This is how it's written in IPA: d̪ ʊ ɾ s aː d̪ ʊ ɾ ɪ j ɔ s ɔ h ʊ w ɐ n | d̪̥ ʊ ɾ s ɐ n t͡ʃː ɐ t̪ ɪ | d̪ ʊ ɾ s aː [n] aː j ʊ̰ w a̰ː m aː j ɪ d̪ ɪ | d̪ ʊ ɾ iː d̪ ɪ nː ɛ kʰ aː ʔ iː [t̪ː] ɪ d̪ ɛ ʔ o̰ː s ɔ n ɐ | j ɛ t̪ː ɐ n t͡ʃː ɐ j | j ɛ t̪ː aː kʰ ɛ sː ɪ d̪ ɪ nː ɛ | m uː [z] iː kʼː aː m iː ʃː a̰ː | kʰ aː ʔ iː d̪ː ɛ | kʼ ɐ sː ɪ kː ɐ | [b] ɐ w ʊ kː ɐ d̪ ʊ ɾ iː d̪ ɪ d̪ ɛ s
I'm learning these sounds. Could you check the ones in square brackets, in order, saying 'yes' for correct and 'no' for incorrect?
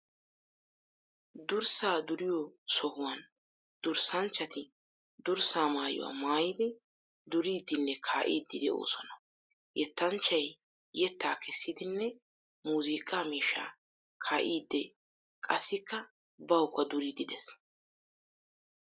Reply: no, no, yes, yes

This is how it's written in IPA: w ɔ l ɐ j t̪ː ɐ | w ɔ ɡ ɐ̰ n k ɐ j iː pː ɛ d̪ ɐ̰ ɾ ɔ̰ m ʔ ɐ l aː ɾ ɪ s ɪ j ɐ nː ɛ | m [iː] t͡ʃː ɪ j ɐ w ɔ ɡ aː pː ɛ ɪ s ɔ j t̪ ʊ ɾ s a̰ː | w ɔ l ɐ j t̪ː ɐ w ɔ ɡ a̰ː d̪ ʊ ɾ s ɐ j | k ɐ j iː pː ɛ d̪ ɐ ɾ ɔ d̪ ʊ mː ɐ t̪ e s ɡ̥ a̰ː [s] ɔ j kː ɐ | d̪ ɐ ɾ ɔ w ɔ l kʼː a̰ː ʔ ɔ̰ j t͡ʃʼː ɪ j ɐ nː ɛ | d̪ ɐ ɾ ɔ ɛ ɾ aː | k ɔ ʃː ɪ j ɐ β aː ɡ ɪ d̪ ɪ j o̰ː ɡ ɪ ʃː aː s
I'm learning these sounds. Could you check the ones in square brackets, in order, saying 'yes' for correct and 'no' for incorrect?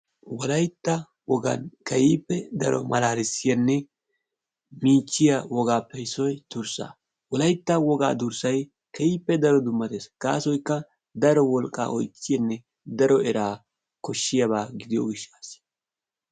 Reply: yes, yes

